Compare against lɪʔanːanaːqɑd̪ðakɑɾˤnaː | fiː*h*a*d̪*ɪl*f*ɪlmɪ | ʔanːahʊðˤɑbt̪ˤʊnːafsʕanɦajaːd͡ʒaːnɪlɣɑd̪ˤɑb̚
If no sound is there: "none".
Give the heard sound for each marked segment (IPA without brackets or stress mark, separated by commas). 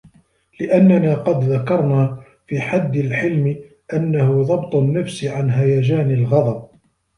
ħ, d̪ː, ħ